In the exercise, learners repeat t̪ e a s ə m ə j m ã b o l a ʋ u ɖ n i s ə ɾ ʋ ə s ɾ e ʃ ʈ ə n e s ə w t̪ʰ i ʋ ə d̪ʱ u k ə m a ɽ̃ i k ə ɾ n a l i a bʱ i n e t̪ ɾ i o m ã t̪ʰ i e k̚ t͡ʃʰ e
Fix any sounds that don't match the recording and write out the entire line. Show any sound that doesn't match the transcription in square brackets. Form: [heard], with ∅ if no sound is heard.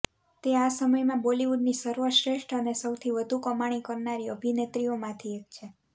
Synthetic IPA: t̪ e a s ə m ə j m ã b o l [i] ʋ u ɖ n i s ə ɾ ʋ ə [ʃ] ɾ e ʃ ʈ ə n e s ə w t̪ʰ i ʋ ə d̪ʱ u k ə m a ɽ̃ i k ə ɾ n a [ɾ] i [ə] bʱ i n e t̪ ɾ i o m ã t̪ʰ i e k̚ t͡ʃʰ e

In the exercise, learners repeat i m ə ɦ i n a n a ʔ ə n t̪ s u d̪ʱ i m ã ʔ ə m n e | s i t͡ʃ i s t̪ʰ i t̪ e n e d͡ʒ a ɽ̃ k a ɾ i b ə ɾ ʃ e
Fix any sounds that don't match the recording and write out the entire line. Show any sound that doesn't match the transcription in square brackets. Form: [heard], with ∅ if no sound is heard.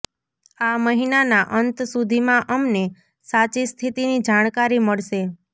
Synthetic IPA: [a] m ə ɦ i n a n a ʔ ə n t̪ s u d̪ʱ i m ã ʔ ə m n e | s [a] t͡ʃ i s t̪ʰ i t̪ [i] n [i] d͡ʒ a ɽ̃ k a ɾ i [m] ə [ɭ] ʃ e

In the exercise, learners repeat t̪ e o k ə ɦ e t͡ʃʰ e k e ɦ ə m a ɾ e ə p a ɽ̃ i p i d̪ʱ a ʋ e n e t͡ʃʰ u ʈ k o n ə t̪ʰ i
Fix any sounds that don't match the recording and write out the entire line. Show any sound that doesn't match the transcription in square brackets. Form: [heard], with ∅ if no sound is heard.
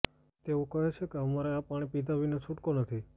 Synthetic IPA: t̪ e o k ə ɦ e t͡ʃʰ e k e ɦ ə m a ɾ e [a] p a ɽ̃ i p i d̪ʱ a ʋ [i] n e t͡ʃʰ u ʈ k o n ə t̪ʰ i

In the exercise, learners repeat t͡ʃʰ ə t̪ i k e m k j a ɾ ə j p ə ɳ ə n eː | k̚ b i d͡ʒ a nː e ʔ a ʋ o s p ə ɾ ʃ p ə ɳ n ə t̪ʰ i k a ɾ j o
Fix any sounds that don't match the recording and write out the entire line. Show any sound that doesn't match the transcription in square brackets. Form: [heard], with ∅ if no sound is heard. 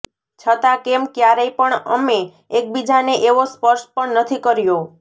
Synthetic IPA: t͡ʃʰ ə t̪ [a] k e m k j a ɾ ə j p ə ɳ ə [m] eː | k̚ b i d͡ʒ a [n] e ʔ [e] ʋ o s p ə ɾ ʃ p ə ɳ n ə t̪ʰ i k [ə] ɾ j o

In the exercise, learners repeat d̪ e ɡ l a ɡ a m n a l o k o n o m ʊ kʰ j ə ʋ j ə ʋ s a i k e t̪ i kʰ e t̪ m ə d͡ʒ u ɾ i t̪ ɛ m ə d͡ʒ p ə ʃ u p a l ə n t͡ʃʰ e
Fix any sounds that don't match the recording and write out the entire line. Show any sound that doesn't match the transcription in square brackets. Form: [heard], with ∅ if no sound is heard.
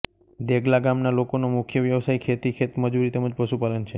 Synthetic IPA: d̪ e ɡ l a ɡ a m n a l o k o n o m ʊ kʰ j ə ʋ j ə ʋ s a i [kʰ] e t̪ i kʰ e t̪ m ə d͡ʒ u ɾ i t̪ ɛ m ə d͡ʒ p ə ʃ u p a l ə n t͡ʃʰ e

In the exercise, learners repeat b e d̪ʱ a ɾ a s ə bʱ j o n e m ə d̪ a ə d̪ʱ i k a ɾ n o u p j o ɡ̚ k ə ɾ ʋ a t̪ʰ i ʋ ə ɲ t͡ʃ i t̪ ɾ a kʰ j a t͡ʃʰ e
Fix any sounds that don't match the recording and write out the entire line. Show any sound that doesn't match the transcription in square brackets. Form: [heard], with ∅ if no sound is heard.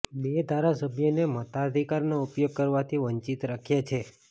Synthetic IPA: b e d̪ʱ a ɾ a s ə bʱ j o n e m ə [t̪] a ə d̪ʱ i k a ɾ n o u p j o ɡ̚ k ə ɾ ʋ a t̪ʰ i ʋ ə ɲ t͡ʃ i t̪ ɾ a kʰ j a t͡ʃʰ e

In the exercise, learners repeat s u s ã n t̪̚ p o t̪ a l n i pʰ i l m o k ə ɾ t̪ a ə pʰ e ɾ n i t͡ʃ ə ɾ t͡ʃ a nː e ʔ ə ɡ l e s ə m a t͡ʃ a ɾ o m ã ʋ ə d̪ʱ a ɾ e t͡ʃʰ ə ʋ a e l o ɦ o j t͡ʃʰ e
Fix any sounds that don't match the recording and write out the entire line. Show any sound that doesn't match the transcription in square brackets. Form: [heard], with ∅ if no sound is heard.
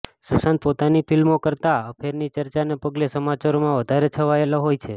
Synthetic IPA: s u s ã n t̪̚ p o t̪ a [∅] n i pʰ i l m o k ə ɾ t̪ a ə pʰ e ɾ n i t͡ʃ ə ɾ t͡ʃ a [n] e [p] ə ɡ l e s ə m a t͡ʃ a ɾ o m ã ʋ ə d̪ʱ a ɾ e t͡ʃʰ ə ʋ a e l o ɦ o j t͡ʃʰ e

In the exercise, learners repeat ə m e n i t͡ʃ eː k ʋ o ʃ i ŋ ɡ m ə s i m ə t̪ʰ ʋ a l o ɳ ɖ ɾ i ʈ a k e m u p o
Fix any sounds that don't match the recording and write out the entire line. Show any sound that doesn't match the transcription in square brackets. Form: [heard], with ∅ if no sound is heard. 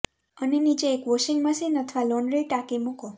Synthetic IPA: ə [n] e n i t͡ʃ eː k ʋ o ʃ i ŋ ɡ m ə s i [n] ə t̪ʰ ʋ a l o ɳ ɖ ɾ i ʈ a k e m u [k] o

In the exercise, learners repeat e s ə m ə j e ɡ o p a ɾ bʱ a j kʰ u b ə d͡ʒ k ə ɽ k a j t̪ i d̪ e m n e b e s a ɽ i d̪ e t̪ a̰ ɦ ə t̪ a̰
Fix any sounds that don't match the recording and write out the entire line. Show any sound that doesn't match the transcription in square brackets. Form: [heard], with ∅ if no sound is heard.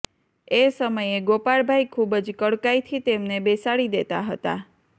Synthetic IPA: e s ə m ə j e ɡ o p a [ɭ] bʱ a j kʰ u b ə d͡ʒ k ə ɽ k a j [t̪ʰ] i [t̪] e m n e b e s a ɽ i d̪ e t̪ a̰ ɦ ə t̪ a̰

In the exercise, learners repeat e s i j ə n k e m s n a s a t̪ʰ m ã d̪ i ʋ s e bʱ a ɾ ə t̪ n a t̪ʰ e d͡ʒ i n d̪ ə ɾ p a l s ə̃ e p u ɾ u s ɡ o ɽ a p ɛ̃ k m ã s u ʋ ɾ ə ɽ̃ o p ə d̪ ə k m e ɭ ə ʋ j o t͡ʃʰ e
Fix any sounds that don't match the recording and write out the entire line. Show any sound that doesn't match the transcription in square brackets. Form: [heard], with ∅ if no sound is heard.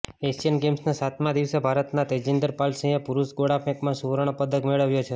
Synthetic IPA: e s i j ə n [ɡ] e m s n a s a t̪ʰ m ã d̪ i ʋ s e bʱ a ɾ ə t̪ n a [t̪] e d͡ʒ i n d̪ ə ɾ p a l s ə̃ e p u ɾ u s ɡ o ɽ a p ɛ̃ k m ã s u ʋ ɾ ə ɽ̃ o p ə d̪ ə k m e ɭ ə ʋ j o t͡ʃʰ e

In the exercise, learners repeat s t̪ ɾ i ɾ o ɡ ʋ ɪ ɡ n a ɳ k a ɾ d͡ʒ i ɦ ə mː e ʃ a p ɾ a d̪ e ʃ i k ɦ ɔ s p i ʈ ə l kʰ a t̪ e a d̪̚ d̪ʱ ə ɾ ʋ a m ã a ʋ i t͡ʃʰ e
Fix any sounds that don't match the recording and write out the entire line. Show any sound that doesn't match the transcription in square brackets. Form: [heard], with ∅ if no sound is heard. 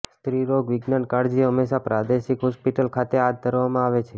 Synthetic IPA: s t̪ ɾ i ɾ o ɡ ʋ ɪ ɡ n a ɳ k a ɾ d͡ʒ i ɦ ə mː e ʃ a p ɾ a d̪ e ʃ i k ɦ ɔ s p i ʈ ə l kʰ a t̪ e a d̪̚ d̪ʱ ə ɾ ʋ a m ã a ʋ [e] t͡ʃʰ e

